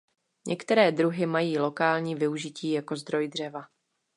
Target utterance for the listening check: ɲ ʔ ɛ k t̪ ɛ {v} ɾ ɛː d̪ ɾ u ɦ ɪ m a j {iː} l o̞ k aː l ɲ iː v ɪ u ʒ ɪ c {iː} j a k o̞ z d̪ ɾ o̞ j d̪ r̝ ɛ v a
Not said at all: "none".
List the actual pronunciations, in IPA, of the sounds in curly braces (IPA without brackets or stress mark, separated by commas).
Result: none, iː, iː